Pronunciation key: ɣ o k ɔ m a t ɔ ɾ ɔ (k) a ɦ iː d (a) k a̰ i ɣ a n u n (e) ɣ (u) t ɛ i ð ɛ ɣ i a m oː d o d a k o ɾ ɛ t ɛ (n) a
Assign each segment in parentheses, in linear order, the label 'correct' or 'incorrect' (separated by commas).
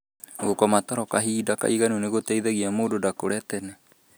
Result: correct, correct, correct, incorrect, correct